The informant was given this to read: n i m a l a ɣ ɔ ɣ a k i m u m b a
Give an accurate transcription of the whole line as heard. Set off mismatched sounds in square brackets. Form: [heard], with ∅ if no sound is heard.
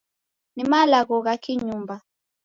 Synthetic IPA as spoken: n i m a l a ɣ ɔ ɣ a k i [ɲ] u m b a